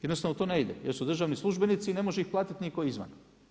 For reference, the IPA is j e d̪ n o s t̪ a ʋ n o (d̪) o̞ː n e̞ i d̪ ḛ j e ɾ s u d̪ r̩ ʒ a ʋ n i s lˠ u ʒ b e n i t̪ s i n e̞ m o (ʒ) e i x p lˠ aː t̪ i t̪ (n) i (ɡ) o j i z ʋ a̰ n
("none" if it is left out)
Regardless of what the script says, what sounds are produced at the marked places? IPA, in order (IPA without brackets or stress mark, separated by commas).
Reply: t̪, ʒ, n, k